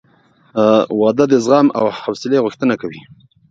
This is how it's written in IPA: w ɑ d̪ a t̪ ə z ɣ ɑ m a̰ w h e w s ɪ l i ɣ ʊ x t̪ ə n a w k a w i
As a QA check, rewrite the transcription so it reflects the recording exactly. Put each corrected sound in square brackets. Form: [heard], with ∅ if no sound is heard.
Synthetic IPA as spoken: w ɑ d̪ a [d̪] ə z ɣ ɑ m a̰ w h [a] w s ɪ l [e] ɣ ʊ x t̪ ə n a [∅] k a w i